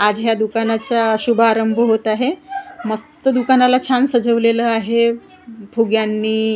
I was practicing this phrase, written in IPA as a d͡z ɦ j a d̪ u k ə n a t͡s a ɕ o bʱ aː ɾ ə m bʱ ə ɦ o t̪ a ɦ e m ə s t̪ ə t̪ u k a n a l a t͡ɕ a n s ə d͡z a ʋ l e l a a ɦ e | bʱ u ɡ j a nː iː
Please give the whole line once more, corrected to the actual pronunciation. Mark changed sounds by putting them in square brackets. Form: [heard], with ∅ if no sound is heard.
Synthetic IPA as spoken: a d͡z ɦ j a d̪ u k [a] n a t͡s a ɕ [u] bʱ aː ɾ ə m bʱ ə ɦ o t̪ a ɦ e m ə s t̪ ə [d̪] u k a n a l a [t͡ɕʰ] a n s ə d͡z [ə] ʋ l e l [ə] a ɦ e | bʱ u ɡ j a nː iː